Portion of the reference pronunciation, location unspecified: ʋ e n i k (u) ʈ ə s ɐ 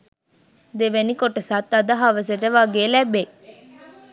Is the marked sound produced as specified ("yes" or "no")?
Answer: no